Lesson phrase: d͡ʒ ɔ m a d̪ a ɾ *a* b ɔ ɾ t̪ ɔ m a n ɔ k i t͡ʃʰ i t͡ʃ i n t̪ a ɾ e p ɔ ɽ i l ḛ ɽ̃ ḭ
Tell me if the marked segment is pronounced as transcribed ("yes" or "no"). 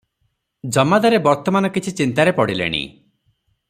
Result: no